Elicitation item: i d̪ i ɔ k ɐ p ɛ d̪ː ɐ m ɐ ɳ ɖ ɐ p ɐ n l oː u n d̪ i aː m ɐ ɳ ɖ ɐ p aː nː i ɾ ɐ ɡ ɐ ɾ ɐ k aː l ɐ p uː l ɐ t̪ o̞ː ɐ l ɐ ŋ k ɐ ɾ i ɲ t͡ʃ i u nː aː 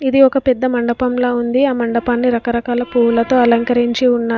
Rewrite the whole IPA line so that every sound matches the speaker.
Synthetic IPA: i d̪ i ɔ k ɐ p ɛ d̪ː ɐ m ɐ ɳ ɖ ɐ p ɐ m l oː u n d̪ i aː m ɐ ɳ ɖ ɐ p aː nː i ɾ ɐ k ɐ ɾ ɐ k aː l ɐ p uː l ɐ t̪ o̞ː ɐ l ɐ ŋ k ɐ ɾ i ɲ t͡ʃ i u nː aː